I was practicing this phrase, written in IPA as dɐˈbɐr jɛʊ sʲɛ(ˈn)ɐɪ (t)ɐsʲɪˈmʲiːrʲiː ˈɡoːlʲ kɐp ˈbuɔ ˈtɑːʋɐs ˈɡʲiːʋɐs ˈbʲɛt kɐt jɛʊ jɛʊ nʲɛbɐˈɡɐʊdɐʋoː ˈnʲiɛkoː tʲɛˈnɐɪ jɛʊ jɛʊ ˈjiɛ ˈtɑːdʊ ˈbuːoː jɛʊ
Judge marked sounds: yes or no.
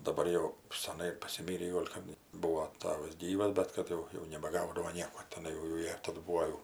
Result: yes, no

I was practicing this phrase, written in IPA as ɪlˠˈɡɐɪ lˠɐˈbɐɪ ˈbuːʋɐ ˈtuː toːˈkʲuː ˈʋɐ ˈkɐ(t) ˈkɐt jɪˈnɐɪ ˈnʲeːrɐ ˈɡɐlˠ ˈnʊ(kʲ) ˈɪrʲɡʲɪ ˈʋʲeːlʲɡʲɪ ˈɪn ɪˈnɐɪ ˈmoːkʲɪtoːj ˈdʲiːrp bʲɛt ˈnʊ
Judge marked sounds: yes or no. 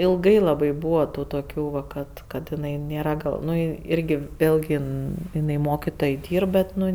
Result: yes, no

